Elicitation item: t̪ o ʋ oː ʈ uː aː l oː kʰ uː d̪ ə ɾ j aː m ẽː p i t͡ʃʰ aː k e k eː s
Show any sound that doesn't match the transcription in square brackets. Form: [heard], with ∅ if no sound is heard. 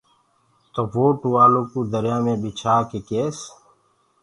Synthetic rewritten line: t̪ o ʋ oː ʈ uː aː l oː [k] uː d̪ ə ɾ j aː m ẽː [b] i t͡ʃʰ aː k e k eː s